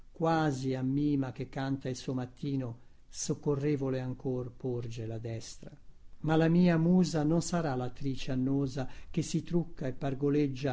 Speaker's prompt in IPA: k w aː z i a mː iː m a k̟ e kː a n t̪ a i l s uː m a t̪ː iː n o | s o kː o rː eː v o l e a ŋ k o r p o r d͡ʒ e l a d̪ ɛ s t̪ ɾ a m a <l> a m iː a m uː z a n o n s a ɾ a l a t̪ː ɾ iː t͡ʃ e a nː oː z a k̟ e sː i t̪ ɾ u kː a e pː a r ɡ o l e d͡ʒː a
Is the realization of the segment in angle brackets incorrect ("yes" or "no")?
no